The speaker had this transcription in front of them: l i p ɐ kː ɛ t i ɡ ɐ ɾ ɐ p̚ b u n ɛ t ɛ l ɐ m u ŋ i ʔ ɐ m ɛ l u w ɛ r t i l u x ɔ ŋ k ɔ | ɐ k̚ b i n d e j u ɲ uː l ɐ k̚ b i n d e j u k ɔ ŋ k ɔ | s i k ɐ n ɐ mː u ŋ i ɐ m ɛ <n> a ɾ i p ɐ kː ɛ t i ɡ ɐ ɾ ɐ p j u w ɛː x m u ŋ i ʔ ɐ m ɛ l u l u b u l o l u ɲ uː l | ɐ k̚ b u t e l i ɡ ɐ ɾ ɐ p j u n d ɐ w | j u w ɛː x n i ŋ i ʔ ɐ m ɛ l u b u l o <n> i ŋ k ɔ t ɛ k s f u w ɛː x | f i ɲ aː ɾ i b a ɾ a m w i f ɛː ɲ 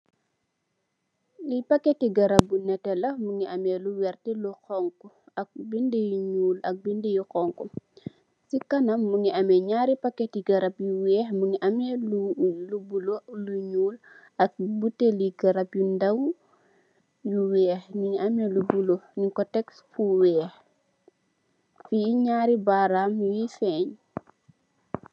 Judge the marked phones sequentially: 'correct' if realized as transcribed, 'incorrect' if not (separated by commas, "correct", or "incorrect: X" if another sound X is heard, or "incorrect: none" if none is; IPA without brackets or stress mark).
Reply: incorrect: ɲ, correct